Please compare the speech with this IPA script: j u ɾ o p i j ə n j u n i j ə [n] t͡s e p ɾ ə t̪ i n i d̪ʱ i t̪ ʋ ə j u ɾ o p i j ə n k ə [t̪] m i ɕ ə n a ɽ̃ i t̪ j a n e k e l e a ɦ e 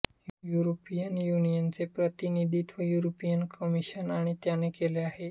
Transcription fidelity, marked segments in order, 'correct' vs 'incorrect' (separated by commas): correct, incorrect